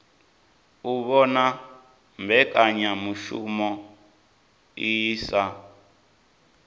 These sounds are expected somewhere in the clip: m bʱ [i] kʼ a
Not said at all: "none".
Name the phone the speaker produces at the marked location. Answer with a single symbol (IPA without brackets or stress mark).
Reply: ɛ